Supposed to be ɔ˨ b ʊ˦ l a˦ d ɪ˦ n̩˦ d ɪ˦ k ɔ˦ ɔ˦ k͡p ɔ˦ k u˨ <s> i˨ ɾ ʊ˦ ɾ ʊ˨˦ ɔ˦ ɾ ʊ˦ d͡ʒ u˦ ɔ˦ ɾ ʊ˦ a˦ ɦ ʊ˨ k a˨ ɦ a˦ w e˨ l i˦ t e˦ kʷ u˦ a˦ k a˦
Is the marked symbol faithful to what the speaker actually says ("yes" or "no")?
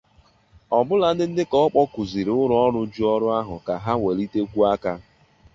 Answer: no